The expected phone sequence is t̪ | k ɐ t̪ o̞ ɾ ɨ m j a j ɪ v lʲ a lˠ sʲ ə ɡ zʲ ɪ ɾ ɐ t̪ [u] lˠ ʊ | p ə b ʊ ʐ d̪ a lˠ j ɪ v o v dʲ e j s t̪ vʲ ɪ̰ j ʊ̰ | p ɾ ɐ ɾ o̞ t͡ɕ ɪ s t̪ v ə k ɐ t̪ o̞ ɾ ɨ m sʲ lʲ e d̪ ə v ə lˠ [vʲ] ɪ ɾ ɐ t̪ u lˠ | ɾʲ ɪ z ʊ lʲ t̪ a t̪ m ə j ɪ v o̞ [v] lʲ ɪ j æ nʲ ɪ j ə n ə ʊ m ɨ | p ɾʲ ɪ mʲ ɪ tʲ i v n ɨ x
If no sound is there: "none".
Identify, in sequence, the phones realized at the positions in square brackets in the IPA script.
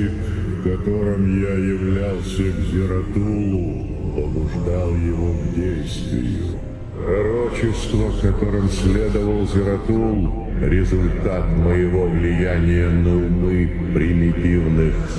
u, zʲ, v

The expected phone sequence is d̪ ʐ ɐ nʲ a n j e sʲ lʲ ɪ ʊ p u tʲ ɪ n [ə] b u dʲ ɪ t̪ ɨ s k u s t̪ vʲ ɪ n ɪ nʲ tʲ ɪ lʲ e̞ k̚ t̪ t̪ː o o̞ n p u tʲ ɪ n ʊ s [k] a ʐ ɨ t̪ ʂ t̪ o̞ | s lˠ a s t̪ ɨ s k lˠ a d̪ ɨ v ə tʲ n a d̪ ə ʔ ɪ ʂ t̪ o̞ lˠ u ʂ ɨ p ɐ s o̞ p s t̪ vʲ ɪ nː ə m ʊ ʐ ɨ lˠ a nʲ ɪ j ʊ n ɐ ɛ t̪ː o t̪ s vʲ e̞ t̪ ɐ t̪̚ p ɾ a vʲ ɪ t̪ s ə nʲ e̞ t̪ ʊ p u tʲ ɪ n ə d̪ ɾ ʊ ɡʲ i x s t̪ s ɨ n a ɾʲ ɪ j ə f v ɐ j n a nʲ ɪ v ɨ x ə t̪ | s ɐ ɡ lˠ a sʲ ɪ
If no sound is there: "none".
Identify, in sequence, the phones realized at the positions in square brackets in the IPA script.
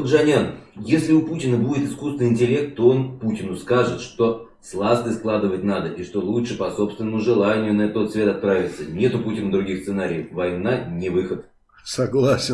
ə, k

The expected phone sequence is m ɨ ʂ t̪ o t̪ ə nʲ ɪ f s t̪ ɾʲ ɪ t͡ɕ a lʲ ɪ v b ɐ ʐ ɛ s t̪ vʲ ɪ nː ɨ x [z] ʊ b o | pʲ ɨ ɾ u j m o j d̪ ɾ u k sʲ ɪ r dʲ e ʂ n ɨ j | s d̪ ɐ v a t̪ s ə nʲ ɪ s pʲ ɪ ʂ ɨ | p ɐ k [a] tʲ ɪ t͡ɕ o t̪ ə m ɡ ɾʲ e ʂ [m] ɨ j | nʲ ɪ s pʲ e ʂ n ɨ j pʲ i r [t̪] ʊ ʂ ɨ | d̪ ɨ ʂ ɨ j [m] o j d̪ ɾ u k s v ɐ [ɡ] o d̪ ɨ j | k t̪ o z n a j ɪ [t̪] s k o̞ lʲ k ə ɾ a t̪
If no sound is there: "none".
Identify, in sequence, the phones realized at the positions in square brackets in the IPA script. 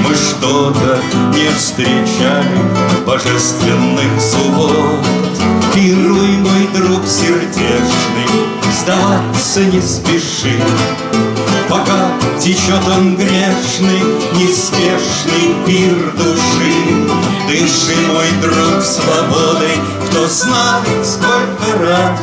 s, a, n, d̪, m, b, t̪

